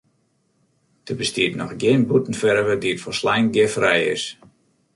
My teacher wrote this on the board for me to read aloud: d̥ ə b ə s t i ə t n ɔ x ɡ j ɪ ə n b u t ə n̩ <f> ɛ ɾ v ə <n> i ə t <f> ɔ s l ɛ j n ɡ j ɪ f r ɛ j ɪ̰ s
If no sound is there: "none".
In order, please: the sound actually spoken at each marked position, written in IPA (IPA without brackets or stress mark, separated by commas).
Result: f, d, f